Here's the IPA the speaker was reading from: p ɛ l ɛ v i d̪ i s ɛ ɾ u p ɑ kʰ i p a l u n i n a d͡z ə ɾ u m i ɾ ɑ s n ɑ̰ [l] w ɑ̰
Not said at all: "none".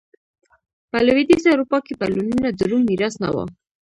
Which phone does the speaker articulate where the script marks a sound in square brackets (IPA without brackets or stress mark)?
none